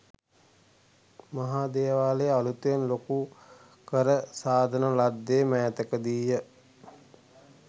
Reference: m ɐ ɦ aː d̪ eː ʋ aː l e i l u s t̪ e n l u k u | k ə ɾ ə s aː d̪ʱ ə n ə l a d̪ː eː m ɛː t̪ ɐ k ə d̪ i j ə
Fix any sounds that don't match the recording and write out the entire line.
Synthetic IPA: m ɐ ɦ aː d̪ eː ʋ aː l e a l u t̪ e n l o k u | k ə ɾ ə s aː d̪ʱ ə n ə l a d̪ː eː m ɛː t̪ ə k ə d̪ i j ə